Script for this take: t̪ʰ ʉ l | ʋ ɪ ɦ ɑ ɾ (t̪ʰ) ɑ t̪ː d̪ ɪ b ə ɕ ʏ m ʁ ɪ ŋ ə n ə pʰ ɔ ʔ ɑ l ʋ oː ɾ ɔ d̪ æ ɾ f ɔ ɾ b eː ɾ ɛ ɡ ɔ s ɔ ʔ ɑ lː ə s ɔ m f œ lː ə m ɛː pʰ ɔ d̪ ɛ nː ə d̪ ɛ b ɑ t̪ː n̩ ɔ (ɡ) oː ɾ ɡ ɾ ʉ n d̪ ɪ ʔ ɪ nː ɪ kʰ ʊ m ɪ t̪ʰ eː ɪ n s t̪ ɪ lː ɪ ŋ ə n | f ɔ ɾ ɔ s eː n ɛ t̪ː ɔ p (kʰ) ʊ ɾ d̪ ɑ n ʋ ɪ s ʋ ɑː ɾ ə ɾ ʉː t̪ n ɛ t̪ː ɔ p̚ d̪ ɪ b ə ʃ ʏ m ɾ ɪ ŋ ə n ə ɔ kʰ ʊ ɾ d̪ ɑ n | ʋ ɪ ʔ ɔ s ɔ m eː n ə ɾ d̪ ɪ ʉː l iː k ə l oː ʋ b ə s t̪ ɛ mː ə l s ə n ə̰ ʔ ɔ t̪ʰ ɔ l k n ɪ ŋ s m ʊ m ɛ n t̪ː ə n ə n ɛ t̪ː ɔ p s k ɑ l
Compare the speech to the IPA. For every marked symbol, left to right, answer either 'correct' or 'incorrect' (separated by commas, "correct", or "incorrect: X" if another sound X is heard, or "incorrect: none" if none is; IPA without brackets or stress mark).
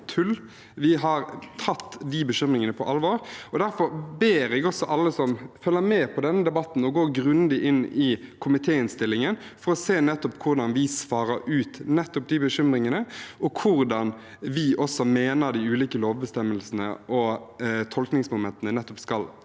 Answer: correct, correct, correct